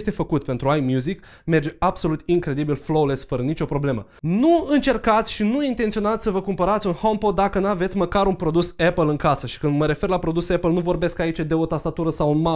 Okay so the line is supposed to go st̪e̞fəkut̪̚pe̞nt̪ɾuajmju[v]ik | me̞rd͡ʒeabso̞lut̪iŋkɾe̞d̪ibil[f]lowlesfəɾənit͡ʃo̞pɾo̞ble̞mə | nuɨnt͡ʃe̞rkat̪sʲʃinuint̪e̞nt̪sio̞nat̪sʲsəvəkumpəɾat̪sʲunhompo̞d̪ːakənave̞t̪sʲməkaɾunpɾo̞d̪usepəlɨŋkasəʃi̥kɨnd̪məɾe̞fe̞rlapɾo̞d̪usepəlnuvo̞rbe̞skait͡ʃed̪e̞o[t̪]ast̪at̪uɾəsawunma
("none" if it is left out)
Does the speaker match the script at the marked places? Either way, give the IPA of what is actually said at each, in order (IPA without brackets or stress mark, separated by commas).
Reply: z, f, t̪